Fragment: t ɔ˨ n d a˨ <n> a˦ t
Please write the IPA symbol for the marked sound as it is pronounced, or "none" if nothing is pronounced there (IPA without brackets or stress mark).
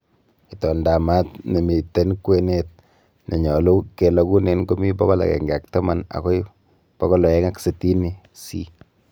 m